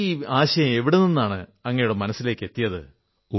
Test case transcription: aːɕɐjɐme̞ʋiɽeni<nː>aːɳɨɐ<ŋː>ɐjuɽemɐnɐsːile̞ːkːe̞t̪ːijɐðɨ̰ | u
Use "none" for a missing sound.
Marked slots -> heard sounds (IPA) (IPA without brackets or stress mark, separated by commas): nː, ŋː